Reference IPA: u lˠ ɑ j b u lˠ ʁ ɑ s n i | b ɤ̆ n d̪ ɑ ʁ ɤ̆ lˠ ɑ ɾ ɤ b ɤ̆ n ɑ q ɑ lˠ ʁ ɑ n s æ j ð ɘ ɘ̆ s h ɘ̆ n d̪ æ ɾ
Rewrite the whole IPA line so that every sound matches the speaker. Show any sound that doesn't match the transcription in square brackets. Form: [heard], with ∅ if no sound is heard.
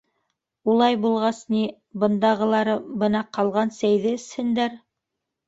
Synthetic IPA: u lˠ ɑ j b u lˠ ʁ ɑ s n i | b ɤ̆ n d̪ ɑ ʁ ɤ̆ lˠ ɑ ɾ ɤ b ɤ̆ n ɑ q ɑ lˠ ʁ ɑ n s æ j ð ɘ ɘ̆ s h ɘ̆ n d̪ æ ɾ